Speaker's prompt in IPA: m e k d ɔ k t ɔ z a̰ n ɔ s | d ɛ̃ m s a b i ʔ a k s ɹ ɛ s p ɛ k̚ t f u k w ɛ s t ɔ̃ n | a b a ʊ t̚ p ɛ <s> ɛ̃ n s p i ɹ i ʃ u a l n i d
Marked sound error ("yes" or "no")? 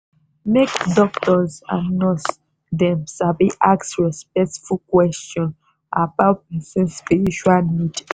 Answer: no